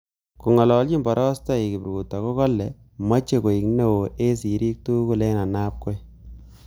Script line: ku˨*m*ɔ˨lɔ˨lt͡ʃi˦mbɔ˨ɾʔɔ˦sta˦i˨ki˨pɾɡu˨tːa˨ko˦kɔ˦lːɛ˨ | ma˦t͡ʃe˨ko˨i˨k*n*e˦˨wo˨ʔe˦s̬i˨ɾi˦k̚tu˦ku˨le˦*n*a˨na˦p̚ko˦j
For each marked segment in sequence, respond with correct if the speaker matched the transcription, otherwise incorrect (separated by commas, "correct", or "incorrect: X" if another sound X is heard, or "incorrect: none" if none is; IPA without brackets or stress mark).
incorrect: ŋ, correct, correct